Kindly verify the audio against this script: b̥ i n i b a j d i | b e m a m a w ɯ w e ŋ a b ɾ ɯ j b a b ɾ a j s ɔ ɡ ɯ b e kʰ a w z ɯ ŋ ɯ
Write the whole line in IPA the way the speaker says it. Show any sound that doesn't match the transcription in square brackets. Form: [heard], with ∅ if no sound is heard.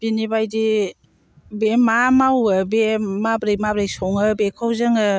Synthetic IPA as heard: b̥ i n i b a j d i | b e m a m a w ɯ [b] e [m] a b ɾ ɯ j [m] a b ɾ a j s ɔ [ŋ] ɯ b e kʰ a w z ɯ ŋ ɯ